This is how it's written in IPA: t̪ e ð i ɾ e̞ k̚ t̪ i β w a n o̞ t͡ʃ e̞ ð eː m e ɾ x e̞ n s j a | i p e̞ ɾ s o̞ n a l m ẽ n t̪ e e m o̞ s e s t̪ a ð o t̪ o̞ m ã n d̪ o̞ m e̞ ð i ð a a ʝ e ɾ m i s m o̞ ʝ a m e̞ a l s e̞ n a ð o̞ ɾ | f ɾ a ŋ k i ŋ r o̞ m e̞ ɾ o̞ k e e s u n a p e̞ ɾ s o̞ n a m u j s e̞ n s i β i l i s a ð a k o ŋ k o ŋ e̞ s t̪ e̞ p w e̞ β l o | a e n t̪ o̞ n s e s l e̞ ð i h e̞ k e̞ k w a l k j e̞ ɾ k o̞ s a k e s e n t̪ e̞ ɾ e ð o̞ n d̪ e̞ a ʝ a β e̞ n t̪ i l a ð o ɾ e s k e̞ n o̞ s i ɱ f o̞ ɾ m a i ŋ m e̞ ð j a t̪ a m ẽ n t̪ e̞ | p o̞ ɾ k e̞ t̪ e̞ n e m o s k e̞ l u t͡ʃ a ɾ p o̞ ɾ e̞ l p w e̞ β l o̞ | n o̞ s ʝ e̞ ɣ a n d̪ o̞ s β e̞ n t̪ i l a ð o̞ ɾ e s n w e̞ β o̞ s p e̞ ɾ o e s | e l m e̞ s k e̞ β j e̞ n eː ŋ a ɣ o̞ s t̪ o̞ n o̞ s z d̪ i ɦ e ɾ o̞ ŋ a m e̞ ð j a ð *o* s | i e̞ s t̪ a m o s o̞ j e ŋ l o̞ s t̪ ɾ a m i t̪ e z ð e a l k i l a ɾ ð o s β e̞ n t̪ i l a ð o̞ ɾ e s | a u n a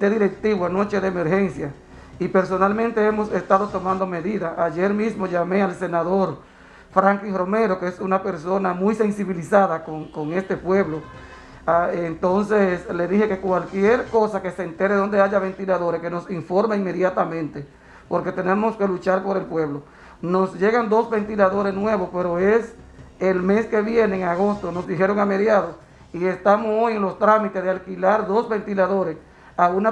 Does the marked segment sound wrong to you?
no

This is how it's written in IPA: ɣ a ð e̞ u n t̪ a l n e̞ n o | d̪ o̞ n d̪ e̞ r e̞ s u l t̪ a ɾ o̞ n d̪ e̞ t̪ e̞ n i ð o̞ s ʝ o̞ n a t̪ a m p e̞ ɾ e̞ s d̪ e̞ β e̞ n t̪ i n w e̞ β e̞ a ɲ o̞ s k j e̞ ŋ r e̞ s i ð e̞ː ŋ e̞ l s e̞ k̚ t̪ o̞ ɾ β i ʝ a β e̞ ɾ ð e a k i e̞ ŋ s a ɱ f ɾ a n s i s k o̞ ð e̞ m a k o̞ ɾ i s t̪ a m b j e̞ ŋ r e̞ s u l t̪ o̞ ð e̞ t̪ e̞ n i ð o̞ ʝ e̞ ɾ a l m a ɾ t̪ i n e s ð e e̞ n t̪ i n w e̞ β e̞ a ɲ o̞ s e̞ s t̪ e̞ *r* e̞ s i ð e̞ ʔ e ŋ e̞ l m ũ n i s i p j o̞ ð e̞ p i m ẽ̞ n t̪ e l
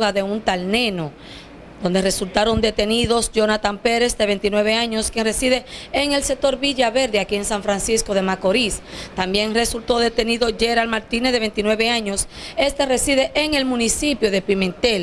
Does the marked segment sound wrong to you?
no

